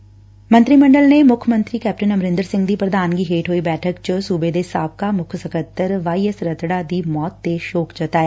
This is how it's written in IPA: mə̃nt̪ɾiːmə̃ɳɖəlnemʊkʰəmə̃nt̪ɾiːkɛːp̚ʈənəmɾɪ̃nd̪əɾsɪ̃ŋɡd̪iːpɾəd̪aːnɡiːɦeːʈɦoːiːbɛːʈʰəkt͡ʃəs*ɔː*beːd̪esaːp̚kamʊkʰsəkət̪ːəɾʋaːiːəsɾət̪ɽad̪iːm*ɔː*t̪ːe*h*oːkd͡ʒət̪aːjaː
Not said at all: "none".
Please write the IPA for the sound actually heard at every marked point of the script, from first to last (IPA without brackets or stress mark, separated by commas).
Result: uː, ɔː, ʃ